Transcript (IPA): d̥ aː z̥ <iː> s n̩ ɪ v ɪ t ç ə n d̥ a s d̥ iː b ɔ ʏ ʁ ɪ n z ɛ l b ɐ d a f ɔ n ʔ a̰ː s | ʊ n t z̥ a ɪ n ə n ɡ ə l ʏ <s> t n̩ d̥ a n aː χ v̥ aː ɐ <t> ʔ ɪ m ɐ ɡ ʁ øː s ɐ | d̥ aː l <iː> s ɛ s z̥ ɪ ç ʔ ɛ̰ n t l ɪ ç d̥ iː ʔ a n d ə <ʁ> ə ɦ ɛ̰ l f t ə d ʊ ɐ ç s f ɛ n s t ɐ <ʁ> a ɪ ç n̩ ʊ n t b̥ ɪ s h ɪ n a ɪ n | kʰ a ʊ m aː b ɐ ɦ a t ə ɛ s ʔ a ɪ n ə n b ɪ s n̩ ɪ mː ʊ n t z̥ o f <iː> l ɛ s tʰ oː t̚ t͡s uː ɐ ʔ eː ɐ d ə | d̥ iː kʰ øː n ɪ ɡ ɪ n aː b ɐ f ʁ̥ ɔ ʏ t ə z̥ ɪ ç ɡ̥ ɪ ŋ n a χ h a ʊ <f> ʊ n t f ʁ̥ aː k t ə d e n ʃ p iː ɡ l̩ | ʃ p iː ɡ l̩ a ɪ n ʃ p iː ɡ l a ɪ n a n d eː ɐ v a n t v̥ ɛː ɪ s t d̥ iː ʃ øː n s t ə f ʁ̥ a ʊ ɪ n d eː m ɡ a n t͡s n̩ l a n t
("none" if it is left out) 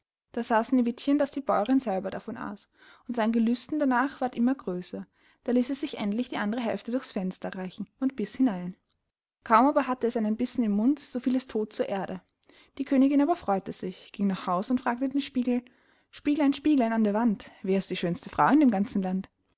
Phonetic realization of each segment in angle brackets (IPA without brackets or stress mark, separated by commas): aː, s, t, iː, ʁ, ʁ, iː, s